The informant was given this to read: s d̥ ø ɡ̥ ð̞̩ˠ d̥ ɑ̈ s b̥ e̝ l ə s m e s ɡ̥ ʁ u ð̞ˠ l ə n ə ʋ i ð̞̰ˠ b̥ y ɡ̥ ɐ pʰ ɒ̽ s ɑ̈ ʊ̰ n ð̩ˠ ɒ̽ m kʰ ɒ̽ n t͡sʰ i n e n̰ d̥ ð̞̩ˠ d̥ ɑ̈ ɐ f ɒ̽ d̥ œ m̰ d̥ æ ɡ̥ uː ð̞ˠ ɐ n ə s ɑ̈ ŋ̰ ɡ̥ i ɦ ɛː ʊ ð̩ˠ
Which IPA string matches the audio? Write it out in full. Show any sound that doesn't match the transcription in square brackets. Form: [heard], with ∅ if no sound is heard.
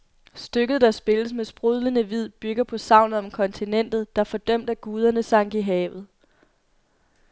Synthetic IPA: s d̥ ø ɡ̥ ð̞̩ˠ d̥ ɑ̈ s b̥ e̝ l ə s m e s [b̥] ʁ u ð̞ˠ l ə n ə ʋ i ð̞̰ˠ b̥ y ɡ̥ ɐ pʰ ɒ̽ s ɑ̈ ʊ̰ n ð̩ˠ ɒ̽ m kʰ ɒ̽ n t͡sʰ i n e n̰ d̥ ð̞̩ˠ d̥ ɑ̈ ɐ f ɒ̽ d̥ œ m̰ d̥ æ ɡ̥ uː ð̞ˠ ɐ n ə s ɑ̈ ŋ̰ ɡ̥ i ɦ ɛː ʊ ð̩ˠ